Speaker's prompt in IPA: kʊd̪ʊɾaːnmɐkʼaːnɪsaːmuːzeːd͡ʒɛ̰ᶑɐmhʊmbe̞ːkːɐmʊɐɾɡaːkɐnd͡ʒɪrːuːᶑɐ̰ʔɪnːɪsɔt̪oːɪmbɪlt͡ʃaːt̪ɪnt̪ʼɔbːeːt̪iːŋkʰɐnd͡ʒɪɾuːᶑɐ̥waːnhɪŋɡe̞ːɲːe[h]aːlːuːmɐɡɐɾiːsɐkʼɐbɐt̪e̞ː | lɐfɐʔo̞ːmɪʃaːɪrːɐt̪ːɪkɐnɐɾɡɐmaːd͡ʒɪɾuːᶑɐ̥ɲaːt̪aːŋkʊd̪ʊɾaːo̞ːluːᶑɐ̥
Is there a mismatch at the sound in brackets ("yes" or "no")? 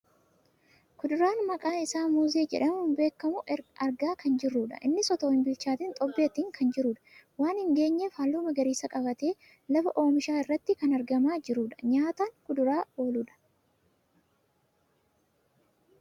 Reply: yes